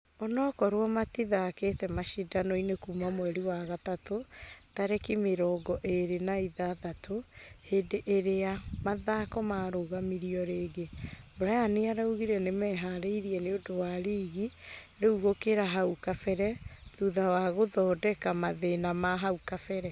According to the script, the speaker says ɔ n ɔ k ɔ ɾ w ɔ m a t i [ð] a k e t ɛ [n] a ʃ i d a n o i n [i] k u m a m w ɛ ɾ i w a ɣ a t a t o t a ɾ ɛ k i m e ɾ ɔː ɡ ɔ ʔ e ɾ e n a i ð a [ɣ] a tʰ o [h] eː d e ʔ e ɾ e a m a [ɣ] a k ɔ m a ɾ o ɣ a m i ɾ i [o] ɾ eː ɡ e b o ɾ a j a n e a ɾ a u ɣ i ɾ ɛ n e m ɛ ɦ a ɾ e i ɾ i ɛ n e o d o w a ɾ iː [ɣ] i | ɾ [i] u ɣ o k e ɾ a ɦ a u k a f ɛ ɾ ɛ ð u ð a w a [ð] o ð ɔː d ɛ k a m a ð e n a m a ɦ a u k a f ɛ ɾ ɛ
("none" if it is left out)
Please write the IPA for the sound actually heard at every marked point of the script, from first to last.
ð, m, e, ð, h, ð, ɔ, ɣ, e, ɣ

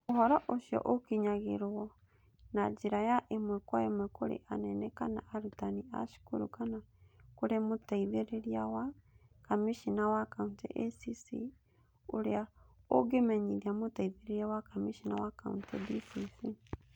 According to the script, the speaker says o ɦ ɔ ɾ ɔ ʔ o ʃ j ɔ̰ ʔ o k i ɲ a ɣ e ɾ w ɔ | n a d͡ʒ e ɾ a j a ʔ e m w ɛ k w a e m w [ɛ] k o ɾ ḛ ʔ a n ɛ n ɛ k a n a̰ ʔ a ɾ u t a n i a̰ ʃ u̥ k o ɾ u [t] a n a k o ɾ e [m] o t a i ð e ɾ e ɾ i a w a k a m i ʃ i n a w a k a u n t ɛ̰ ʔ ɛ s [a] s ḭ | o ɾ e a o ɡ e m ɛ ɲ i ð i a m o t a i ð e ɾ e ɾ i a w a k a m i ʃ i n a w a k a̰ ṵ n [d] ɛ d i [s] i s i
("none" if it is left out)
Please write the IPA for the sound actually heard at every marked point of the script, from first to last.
ɛ, k, m, i, t, s

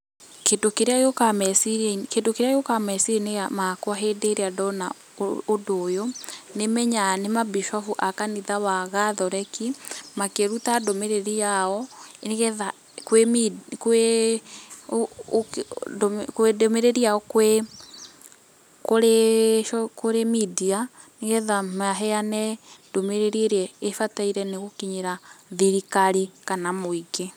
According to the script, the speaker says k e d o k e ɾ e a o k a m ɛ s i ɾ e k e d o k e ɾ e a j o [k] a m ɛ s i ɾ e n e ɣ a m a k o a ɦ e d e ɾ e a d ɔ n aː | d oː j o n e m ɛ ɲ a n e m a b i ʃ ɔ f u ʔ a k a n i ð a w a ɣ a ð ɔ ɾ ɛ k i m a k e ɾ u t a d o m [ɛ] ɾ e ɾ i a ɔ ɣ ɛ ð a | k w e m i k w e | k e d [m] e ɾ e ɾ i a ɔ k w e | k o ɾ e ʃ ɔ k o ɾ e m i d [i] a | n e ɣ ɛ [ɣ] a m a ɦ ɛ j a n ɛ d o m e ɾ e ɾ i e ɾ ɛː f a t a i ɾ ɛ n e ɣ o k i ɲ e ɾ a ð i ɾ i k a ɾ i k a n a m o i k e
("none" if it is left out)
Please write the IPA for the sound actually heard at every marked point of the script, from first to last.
k, e, m, i, ð

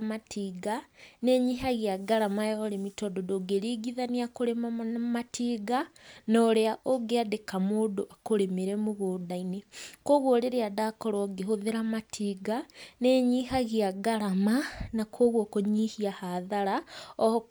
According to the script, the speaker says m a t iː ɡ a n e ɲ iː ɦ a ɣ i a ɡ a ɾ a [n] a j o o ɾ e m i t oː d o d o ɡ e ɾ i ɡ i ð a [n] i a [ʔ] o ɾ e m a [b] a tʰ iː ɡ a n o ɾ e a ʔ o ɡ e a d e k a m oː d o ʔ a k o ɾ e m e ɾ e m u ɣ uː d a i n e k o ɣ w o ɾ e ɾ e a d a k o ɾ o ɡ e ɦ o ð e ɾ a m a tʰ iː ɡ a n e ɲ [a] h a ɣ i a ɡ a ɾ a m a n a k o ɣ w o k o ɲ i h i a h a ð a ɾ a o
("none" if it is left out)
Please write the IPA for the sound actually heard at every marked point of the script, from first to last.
m, n, k, m, i

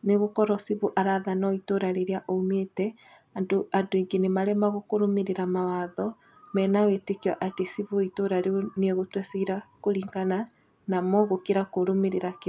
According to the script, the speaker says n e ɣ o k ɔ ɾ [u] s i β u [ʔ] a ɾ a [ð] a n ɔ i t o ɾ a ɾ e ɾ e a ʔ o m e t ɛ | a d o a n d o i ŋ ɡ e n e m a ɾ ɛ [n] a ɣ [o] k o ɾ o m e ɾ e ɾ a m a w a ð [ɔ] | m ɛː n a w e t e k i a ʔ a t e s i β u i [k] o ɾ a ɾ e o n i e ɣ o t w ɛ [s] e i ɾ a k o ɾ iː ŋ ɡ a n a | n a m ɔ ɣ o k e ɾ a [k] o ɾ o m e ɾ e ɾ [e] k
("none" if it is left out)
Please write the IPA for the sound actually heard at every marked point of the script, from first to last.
ɔ, ʔ, ð, m, o, ɔ, t, s, k, a

